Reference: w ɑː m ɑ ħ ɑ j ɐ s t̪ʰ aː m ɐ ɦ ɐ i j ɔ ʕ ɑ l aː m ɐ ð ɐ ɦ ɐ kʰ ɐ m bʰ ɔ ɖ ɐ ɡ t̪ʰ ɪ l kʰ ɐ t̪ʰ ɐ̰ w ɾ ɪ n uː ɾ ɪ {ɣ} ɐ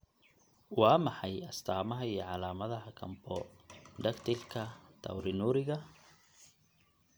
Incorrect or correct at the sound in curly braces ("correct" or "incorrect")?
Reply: correct